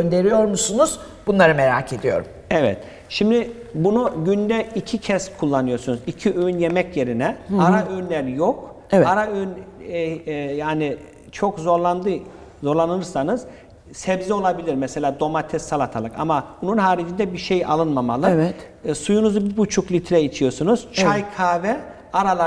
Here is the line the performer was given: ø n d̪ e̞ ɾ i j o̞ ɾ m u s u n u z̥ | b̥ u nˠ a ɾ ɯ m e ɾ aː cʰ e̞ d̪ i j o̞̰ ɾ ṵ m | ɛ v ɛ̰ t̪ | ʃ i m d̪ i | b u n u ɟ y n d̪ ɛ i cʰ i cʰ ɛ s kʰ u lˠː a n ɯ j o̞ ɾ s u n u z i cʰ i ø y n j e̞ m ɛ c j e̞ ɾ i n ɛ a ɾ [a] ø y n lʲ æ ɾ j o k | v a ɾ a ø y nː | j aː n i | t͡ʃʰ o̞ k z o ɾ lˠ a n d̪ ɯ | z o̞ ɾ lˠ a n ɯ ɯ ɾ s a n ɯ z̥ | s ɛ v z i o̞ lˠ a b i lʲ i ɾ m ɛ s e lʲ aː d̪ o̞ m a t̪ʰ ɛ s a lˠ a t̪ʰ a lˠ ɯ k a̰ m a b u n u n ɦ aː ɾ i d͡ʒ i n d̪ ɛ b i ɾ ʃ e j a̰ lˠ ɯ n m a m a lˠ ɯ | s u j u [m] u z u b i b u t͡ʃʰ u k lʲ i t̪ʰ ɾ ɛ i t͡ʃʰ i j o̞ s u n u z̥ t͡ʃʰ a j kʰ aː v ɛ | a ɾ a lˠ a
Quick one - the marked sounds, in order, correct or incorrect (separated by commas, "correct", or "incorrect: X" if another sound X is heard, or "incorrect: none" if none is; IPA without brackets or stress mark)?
correct, incorrect: n